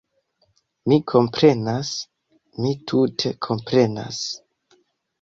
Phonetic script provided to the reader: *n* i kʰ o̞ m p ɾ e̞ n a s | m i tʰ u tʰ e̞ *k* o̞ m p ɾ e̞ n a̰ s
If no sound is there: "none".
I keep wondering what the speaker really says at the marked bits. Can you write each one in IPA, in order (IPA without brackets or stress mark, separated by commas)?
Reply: m, kʰ